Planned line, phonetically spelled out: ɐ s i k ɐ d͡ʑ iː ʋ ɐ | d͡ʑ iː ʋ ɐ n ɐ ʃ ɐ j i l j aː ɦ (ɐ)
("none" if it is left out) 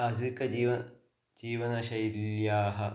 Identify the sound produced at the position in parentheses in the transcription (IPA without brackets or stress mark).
ɐ